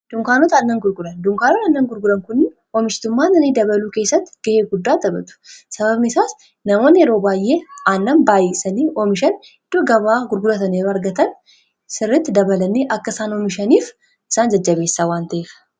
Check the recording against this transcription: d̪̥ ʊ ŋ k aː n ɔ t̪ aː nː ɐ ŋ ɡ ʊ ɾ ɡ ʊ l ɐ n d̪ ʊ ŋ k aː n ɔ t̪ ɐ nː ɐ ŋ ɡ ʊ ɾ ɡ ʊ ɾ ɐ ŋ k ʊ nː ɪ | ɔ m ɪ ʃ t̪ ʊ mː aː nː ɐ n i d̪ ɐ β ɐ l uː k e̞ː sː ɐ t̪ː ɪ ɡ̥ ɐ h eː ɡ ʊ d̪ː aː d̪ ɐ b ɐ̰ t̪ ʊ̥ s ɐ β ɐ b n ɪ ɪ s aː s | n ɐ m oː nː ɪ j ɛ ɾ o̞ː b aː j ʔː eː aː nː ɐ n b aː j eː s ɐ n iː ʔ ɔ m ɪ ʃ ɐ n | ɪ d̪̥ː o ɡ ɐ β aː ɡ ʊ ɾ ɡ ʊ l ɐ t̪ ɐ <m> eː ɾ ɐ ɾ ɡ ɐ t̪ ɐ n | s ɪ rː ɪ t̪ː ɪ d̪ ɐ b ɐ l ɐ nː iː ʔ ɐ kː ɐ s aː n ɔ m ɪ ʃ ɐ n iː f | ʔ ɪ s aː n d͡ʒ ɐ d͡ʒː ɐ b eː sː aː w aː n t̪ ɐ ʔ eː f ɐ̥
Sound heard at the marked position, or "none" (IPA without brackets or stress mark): n